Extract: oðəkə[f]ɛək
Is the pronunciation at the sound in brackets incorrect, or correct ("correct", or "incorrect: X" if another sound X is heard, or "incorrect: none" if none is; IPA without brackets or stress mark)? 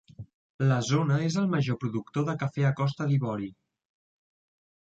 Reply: correct